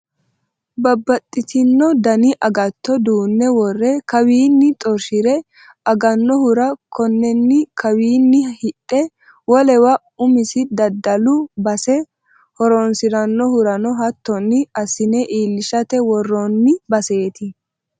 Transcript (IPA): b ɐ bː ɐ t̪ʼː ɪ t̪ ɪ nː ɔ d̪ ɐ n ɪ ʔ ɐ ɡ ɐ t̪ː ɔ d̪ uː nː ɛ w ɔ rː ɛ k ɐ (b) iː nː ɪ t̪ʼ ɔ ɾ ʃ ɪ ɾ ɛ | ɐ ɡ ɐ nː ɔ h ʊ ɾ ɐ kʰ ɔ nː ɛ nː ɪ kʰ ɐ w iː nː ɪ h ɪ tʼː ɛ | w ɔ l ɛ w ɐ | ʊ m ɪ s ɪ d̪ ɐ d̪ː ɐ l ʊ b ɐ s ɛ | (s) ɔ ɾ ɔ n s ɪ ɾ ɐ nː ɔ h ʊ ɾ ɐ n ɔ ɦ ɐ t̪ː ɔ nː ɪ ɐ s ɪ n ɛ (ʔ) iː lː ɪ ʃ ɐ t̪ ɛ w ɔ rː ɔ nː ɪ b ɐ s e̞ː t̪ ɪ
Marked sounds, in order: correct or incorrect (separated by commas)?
incorrect, incorrect, correct